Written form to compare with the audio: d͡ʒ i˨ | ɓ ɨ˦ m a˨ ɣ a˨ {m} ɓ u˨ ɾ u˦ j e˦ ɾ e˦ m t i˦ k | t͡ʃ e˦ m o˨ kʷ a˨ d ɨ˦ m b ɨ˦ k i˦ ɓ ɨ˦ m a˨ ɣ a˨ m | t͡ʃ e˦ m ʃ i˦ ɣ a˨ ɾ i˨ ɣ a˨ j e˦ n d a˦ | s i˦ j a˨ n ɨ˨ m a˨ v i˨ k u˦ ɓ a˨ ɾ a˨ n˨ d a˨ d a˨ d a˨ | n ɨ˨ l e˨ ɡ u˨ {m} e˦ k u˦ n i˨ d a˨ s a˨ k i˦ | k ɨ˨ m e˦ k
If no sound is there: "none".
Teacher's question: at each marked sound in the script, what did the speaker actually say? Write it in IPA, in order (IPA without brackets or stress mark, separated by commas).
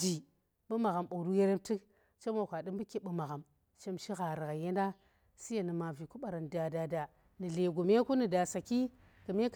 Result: m, m